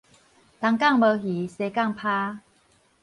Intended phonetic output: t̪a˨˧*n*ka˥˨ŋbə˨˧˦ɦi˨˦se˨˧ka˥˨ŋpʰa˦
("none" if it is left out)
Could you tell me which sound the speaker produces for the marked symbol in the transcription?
ŋ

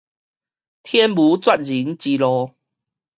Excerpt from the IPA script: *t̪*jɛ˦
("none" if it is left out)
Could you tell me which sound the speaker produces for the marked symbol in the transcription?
t̪ʰ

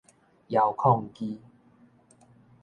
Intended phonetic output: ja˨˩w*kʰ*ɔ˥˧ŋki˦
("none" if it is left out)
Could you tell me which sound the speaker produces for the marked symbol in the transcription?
kʰ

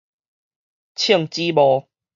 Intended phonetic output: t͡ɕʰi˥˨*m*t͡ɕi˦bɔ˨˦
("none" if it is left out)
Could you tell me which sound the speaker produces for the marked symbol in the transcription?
ŋ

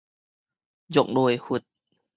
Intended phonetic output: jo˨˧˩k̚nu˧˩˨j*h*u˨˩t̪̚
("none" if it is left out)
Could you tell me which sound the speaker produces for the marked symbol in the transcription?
h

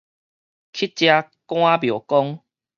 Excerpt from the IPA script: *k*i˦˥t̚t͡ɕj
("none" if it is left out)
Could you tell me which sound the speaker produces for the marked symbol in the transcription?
kʰ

